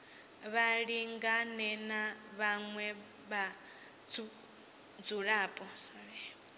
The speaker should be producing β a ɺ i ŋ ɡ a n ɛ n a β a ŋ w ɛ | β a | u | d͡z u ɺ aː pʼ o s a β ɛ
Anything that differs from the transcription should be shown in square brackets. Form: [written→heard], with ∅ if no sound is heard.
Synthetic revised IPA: β a ɺ i ŋ ɡ a n ɛ n a β a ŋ w ɛ | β a | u | d͡z u ɺ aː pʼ [o→ɔ] s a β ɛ